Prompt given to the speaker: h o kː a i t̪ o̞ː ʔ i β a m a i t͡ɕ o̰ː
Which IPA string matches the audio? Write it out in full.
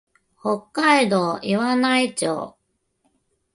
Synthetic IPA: h o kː a i d̪ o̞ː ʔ i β a n a i t͡ɕ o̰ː